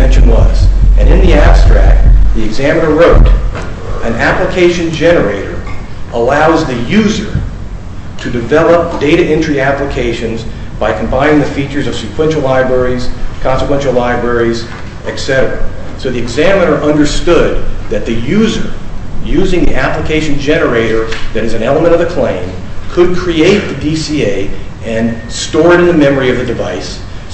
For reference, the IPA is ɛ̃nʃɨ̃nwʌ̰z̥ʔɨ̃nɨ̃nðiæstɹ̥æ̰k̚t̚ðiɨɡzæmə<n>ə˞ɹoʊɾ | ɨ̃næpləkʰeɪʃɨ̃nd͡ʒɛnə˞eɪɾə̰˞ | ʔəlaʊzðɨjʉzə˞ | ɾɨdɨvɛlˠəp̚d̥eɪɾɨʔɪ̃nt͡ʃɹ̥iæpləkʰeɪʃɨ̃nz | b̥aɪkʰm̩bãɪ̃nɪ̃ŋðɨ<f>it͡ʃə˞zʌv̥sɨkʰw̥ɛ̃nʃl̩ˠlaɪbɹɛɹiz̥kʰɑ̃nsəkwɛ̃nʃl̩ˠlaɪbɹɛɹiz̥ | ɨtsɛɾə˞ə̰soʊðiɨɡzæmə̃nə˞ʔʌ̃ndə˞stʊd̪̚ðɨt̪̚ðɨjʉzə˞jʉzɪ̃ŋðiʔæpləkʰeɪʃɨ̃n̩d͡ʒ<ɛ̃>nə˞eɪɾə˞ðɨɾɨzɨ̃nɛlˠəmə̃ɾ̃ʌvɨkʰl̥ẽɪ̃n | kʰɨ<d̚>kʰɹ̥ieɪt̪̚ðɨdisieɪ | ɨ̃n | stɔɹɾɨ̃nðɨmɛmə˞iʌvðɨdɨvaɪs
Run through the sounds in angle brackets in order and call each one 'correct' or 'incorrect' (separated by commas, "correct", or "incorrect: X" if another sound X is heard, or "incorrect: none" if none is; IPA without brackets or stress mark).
correct, correct, incorrect: ɛ, correct